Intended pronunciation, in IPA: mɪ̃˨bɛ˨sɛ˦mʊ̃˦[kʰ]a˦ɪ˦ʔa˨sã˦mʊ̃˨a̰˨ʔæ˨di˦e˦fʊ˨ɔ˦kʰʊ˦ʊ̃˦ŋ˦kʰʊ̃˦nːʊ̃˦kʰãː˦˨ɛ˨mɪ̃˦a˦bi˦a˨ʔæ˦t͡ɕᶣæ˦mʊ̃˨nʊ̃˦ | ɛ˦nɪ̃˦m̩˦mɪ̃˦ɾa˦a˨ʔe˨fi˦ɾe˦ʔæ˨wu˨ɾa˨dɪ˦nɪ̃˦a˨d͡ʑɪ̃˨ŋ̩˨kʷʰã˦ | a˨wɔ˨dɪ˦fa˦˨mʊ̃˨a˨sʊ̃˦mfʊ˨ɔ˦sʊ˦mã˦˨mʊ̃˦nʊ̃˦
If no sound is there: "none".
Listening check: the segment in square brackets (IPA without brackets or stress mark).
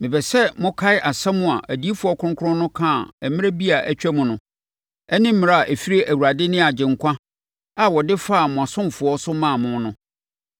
kʰ